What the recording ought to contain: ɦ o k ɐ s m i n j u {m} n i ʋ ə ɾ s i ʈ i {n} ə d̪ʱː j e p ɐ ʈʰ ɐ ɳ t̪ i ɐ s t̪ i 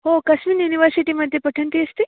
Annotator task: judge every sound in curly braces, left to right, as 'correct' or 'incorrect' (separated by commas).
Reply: incorrect, incorrect